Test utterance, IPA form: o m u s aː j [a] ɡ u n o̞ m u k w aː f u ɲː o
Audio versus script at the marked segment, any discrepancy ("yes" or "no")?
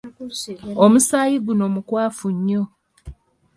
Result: yes